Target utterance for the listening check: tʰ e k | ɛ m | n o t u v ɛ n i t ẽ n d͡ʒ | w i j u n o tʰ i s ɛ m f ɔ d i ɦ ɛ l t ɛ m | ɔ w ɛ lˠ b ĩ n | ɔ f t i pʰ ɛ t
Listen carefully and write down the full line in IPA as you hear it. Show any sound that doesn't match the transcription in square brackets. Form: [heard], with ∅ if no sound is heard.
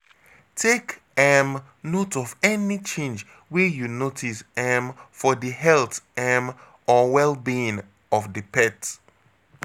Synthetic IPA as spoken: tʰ e k | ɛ m | n o t [ɔ] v ɛ n i [t͡ʃ] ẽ n d͡ʒ | w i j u n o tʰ i s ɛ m f ɔ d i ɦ ɛ l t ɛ m | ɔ w ɛ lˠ b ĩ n | ɔ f [d] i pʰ ɛ t